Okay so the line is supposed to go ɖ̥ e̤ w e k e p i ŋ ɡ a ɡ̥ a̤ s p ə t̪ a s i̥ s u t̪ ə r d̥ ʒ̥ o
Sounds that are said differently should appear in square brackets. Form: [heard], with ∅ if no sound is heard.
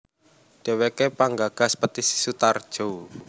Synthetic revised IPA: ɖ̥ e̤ w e k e p [a] ŋ ɡ a ɡ̥ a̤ s p ə t̪ [i] s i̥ s u t̪ [a] r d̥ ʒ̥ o